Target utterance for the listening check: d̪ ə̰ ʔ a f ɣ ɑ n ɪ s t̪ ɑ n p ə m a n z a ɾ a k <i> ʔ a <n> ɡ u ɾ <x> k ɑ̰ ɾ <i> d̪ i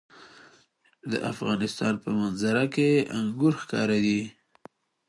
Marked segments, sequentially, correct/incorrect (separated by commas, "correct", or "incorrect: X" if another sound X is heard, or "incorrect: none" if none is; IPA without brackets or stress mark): incorrect: e, incorrect: ŋ, correct, incorrect: a